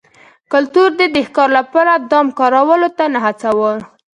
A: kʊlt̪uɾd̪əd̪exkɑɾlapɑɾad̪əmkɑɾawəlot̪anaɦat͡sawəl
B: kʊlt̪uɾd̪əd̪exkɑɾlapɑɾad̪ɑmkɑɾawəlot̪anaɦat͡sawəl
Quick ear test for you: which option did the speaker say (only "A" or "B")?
B